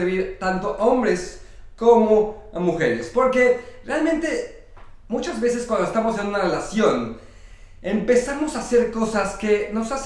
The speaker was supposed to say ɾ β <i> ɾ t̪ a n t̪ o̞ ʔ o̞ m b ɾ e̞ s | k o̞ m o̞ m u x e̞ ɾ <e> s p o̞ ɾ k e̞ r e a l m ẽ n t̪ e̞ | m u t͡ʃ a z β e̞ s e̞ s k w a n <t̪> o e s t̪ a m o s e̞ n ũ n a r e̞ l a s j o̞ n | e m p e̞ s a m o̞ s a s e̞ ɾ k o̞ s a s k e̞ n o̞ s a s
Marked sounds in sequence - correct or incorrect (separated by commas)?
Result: correct, correct, incorrect